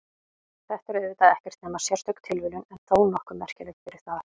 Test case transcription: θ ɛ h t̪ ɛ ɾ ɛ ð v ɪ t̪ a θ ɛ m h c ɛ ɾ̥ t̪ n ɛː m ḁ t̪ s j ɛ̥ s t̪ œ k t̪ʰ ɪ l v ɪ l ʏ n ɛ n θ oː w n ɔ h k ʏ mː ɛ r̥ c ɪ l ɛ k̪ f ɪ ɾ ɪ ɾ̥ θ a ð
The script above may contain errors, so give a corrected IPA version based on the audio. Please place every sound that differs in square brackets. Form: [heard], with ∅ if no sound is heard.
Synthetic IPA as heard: θ ɛ h t̪ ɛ ɾ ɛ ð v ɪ t̪ a [ð] ɛ [∅] h c ɛ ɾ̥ t̪ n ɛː m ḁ [∅] s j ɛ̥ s t̪ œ k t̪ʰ ɪ l v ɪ l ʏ n ɛ n θ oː w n ɔ h k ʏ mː ɛ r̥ c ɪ l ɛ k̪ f ɪ ɾ ɪ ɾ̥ θ a ð